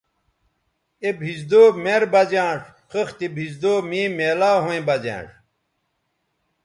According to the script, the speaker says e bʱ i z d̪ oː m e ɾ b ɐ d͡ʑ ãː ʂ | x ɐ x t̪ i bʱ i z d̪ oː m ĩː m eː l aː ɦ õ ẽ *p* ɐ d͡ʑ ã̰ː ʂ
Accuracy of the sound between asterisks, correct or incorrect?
incorrect